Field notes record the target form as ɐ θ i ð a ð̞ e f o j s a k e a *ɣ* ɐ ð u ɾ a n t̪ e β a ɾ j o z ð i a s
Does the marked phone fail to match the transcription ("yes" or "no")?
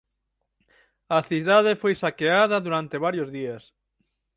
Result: yes